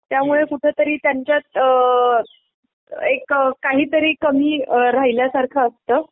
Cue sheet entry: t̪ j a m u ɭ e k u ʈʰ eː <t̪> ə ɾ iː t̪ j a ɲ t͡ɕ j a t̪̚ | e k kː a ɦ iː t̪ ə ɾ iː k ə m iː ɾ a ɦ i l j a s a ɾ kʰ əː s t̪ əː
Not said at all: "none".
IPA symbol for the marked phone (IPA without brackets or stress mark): t̪